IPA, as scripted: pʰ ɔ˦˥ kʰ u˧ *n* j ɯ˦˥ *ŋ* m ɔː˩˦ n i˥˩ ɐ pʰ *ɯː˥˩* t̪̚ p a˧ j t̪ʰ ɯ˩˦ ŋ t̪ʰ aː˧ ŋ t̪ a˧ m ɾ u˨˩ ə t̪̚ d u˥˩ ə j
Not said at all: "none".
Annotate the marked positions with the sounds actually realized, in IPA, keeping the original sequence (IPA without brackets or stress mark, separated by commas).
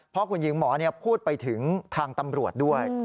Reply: n, ŋ, uː˥˩